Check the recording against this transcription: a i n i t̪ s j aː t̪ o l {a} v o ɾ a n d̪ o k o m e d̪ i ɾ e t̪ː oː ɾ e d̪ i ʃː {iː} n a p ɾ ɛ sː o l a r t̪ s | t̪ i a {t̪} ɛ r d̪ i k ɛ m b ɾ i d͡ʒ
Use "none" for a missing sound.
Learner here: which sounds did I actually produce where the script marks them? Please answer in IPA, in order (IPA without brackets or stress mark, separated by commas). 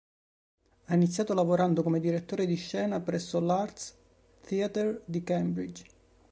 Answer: a, ɛː, t̪